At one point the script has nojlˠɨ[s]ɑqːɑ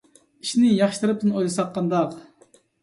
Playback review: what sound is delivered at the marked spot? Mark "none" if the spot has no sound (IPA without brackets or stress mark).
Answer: s